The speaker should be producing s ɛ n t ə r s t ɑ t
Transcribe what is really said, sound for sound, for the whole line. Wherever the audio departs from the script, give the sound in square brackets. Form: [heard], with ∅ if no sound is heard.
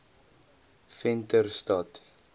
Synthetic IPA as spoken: [f] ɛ n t ə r s t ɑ t